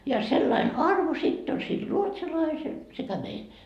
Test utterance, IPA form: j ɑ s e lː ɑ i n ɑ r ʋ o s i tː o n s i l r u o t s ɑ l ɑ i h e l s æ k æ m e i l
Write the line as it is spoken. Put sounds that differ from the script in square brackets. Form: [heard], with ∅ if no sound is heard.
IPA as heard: j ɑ s e lː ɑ i n ɑ r ʋ o s i tː o n s i l r u o t s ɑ l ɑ i [s] e l s [e] k æ m e i l